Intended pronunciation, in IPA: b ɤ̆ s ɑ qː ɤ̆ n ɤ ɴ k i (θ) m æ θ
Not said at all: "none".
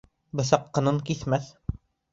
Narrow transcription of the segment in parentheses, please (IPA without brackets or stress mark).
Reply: θ